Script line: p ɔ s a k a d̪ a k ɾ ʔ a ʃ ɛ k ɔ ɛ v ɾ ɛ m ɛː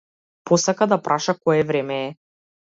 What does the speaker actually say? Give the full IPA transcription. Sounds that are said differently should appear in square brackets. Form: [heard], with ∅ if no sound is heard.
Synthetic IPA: p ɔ s a k a d̪ a [p] ɾ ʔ a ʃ [a] k ɔ ɛ v ɾ ɛ m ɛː